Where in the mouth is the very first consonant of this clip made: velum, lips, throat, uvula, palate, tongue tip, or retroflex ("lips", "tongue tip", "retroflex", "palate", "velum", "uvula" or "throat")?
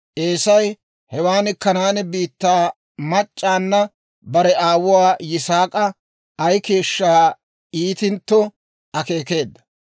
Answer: throat